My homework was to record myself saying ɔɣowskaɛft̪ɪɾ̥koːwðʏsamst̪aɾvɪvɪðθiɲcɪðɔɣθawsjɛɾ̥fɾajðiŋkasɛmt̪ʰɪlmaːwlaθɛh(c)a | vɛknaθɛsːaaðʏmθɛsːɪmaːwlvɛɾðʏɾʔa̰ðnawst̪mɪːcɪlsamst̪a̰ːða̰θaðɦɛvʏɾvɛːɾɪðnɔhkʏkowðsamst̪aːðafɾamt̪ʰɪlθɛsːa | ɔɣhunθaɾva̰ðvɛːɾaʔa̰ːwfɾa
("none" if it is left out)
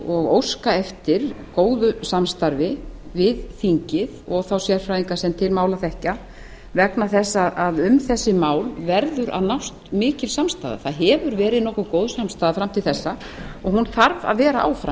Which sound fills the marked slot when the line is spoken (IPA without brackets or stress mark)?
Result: c